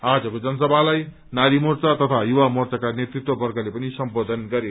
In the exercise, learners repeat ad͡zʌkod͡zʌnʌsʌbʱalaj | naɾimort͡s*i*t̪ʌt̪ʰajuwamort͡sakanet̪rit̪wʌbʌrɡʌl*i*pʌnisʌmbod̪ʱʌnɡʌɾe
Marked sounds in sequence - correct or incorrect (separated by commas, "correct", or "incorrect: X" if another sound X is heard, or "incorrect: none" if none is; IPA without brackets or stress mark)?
incorrect: a, incorrect: e